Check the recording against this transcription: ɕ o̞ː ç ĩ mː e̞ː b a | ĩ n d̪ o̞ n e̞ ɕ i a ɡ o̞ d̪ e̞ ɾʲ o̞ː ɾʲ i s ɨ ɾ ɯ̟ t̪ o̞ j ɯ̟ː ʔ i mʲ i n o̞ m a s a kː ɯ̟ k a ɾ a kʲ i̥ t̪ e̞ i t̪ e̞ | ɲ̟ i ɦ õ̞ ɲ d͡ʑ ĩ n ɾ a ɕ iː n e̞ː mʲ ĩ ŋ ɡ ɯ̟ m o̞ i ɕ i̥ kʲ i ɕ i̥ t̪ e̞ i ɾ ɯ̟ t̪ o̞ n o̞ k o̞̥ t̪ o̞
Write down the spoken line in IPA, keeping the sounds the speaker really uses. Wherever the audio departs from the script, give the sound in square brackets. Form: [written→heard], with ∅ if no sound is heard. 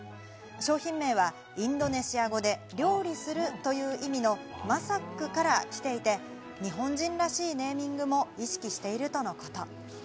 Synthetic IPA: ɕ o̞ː ç ĩ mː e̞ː [b→β] a | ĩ n d̪ o̞ n e̞ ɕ i a ɡ o̞ d̪ e̞ ɾʲ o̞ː ɾʲ i s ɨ ɾ ɯ̟ t̪ o̞ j ɯ̟ː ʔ i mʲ i n o̞ m a s a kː ɯ̟ k a ɾ a kʲ i̥ t̪ e̞ i t̪ e̞ | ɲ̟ i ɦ õ̞ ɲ d͡ʑ ĩ n ɾ a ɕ iː n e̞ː mʲ ĩ ŋ ɡ ɯ̟ m o̞ i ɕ i̥ kʲ i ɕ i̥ t̪ e̞ i ɾ ɯ̟ t̪ o̞ n o̞ k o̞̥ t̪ o̞